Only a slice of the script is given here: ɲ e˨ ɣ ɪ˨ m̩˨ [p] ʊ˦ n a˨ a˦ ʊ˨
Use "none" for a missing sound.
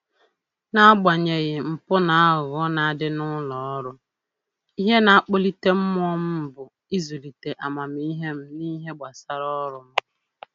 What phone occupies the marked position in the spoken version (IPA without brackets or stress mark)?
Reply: p